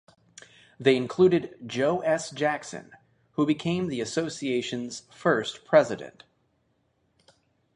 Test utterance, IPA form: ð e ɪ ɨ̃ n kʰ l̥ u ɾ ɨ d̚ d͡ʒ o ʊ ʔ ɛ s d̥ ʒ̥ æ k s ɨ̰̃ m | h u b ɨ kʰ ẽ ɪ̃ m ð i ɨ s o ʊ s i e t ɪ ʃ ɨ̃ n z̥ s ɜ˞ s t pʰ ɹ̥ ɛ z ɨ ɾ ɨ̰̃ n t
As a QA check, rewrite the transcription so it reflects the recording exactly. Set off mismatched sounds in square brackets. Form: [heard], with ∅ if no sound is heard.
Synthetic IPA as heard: ð e ɪ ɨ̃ n kʰ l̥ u ɾ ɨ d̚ d͡ʒ o ʊ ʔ ɛ s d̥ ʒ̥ æ k s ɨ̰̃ [n] | h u b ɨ kʰ ẽ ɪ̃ m ð i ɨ s o ʊ s i e [∅] ɪ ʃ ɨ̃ n z̥ [f] ɜ˞ s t pʰ ɹ̥ ɛ z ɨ ɾ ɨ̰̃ n t